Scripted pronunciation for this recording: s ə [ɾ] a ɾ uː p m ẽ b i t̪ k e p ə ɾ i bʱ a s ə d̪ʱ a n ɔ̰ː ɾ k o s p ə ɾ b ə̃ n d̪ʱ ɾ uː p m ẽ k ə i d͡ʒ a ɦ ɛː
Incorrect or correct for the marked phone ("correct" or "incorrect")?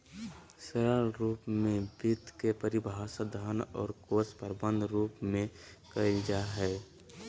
correct